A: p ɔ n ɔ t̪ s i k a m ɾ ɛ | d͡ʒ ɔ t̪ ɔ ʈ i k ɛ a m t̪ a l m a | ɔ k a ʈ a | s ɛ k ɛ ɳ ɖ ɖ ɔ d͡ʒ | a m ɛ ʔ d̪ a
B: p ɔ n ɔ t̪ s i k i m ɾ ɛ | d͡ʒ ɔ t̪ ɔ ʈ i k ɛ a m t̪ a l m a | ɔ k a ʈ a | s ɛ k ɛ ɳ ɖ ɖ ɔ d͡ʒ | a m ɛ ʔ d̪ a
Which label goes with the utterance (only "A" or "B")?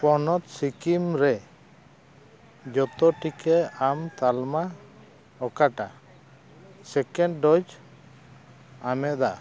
B